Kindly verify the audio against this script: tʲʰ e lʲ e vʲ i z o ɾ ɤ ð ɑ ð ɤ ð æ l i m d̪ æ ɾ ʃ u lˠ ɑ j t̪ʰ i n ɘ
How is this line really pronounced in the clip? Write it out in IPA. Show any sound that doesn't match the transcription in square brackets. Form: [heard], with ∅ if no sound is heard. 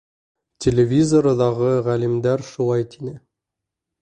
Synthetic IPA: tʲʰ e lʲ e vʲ i z o ɾ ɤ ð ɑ [ʁ] ɤ [ʁ] æ l i m d̪ æ ɾ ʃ u lˠ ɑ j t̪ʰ i n ɘ